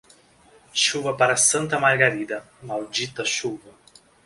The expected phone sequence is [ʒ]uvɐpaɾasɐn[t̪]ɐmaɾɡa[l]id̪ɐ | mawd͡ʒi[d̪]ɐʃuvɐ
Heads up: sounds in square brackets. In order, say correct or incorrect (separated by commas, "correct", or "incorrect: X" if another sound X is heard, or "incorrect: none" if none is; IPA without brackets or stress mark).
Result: incorrect: ʃ, correct, incorrect: ɾ, incorrect: t̪